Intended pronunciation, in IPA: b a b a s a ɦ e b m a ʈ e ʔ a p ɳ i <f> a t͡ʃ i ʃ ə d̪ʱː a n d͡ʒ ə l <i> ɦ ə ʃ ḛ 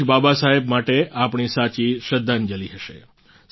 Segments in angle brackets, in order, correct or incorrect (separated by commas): incorrect, correct